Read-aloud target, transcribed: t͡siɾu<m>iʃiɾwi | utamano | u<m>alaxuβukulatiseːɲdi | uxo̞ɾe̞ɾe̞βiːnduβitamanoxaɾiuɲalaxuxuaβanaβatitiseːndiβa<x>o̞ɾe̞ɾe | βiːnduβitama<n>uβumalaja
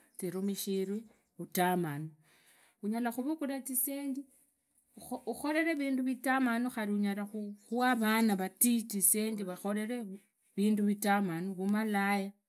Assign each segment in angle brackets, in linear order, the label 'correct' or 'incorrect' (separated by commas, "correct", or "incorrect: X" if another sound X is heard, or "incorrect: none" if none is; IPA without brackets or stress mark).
correct, incorrect: ɲ, correct, correct